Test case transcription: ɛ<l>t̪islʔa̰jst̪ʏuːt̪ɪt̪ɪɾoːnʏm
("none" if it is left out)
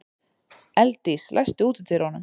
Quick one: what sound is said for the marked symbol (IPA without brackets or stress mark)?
l